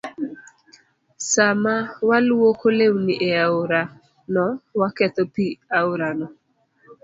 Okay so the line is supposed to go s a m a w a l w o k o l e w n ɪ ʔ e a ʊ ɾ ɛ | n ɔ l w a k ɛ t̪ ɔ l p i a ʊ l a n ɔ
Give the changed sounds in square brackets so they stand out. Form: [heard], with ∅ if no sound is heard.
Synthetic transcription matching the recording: s a m a w a l w o k o l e w n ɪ ʔ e a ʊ ɾ [a] | n ɔ [∅] w a k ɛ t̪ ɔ [∅] p i a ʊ [ɾ] a n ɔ